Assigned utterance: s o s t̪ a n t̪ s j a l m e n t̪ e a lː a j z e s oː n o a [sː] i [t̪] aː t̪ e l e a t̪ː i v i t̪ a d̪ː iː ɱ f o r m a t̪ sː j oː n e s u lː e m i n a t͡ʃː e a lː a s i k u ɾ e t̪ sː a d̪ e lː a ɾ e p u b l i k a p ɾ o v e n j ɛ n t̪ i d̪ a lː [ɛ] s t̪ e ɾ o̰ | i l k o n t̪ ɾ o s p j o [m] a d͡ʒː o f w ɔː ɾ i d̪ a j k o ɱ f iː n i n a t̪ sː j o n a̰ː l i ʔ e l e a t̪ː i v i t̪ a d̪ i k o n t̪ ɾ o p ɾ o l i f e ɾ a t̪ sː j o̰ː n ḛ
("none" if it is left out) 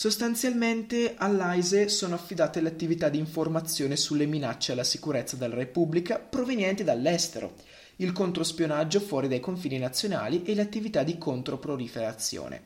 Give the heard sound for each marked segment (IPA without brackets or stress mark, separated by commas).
fː, d̪, ɛ, n